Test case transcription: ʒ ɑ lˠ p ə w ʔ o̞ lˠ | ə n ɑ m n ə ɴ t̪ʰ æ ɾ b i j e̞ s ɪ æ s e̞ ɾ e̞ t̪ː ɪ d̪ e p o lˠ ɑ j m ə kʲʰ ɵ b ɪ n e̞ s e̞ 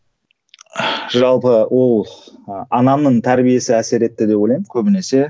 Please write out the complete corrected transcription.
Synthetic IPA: ʒ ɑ lˠ p ə w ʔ o̞ lˠ | ɑ n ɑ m n ə ɴ t̪ʰ æ ɾ b i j e̞ s ɪ æ s e̞ ɾ e̞ t̪ː ɪ d̪ e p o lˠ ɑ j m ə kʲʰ ɵ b ɪ n e̞ s e̞

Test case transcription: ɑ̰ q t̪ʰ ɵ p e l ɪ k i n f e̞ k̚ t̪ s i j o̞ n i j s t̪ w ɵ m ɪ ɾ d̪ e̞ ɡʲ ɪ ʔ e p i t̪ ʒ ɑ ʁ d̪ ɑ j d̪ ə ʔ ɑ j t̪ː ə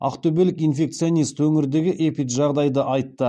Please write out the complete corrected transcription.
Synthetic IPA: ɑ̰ q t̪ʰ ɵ b e l ɪ k i n f e̞ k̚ t̪ s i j o̞ n i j s t̪ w ɵ ŋ ɪ ɾ d̪ e̞ ɡʲ ɪ ʔ e p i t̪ ʒ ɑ ʁ d̪ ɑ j d̪ ə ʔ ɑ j t̪ː ə

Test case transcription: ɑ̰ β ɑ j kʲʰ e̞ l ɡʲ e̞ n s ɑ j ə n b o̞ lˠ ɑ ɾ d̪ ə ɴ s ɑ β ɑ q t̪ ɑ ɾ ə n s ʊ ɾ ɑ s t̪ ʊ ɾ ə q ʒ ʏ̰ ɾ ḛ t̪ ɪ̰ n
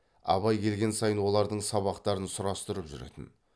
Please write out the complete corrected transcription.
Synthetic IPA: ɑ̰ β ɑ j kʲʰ e̞ l ɡʲ e̞ n s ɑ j ə n w o̞ lˠ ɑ ɾ d̪ ə ɴ s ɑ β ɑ q t̪ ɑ ɾ ə n s ʊ ɾ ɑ s t̪ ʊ ɾ ə p ʒ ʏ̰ ɾ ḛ t̪ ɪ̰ n

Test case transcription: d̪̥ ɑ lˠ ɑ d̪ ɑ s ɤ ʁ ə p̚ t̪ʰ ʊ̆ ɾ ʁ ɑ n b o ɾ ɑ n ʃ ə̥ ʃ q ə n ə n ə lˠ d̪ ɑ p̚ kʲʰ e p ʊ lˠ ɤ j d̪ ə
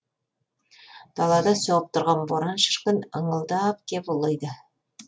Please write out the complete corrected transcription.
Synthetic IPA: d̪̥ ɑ lˠ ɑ d̪ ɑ s o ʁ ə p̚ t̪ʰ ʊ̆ ɾ ʁ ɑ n b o ɾ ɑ n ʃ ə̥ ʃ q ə n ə ɴ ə lˠ d̪ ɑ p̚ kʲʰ e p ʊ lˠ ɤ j d̪ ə

